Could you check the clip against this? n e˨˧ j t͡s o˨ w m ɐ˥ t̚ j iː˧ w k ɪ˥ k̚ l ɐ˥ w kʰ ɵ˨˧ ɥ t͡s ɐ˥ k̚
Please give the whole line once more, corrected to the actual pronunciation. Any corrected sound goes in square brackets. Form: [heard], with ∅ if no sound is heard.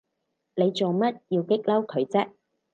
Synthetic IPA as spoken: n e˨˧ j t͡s o˨ w m ɐ˥ t̚ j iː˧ w k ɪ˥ k̚ l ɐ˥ w kʰ ɵ˨˧ ɥ t͡s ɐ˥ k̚